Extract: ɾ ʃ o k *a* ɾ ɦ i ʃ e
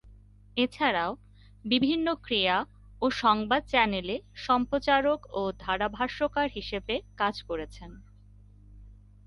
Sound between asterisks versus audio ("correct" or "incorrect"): correct